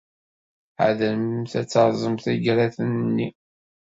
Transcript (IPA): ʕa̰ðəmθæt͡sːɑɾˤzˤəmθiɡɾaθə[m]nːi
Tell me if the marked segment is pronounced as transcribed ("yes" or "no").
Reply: no